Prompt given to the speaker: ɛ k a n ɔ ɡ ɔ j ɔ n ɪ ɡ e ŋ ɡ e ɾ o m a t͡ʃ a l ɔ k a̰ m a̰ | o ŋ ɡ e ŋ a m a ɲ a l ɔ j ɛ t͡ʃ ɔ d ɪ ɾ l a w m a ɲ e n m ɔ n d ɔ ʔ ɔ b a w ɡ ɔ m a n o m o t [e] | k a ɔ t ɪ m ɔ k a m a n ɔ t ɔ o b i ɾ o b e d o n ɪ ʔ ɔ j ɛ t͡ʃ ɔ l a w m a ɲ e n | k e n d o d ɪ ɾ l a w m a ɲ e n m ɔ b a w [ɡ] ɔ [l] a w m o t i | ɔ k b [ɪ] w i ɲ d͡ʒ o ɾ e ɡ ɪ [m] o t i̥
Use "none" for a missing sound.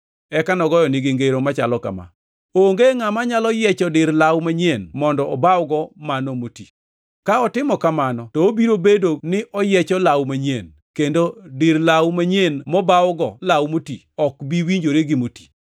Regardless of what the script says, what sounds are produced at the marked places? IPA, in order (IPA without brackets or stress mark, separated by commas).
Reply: i, ɡ, l, i, m